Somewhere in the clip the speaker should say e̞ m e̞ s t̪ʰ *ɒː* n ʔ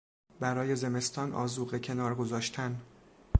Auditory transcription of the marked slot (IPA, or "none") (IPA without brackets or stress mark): ɒː